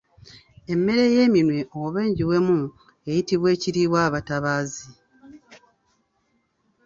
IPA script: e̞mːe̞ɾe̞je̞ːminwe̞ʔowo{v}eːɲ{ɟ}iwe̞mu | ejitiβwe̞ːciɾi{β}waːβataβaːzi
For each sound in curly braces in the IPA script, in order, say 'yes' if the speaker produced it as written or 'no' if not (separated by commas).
no, yes, yes